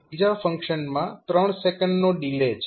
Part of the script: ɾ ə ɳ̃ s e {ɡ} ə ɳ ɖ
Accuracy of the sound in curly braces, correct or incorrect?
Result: incorrect: k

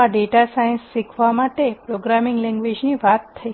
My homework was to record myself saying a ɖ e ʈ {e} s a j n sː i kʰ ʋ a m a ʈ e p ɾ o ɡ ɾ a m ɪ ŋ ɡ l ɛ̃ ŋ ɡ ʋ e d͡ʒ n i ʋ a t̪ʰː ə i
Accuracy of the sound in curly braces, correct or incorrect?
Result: incorrect: a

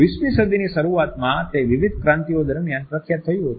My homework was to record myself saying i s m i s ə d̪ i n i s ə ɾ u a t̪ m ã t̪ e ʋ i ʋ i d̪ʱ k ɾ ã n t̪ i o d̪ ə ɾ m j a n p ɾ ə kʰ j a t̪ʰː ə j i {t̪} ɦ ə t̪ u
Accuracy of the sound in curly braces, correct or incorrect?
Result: incorrect: none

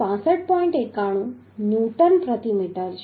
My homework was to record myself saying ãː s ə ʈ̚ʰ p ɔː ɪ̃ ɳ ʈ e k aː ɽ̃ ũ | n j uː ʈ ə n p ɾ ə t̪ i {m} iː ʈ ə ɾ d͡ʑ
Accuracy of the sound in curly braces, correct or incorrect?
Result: correct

